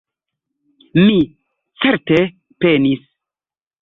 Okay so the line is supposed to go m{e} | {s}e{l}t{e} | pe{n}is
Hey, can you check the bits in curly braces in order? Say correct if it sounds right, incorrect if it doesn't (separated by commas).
incorrect, incorrect, incorrect, correct, correct